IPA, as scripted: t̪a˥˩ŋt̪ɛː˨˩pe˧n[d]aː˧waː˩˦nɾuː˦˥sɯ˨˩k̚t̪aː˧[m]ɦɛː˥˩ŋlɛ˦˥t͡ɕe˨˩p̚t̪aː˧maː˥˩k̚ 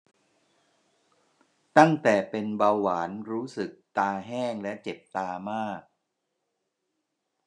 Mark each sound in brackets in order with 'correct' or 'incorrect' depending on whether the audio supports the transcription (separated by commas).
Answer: incorrect, incorrect